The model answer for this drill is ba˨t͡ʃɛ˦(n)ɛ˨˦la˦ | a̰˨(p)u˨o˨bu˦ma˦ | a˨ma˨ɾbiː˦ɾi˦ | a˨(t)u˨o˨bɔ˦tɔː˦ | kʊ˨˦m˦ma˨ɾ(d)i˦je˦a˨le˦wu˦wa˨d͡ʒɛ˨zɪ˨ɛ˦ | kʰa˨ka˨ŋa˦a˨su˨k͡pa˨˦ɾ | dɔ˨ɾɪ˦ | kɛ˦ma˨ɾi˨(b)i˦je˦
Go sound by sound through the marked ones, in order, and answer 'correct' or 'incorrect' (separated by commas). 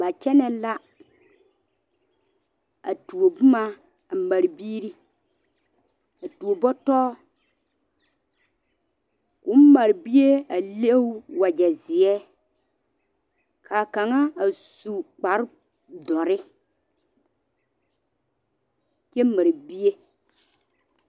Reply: correct, incorrect, correct, incorrect, correct